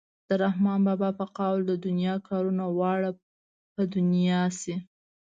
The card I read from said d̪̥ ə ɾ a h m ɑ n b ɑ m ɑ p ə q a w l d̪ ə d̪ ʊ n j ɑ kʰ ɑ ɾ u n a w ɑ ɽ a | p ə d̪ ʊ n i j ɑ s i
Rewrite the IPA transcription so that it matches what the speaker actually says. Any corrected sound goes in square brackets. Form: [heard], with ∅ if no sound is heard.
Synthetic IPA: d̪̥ ə ɾ a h m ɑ n b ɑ [b] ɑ p ə q a w l d̪ ə d̪ ʊ n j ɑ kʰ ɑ ɾ u n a w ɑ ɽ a | p ə d̪ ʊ n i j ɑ s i